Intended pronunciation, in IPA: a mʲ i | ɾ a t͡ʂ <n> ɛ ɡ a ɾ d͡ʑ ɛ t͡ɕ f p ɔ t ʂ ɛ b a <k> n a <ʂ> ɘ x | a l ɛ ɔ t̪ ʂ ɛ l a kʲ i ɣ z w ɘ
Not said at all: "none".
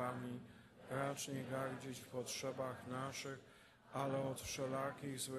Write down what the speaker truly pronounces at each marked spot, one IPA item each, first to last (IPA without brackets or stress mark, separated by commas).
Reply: ɲ, x, ʂ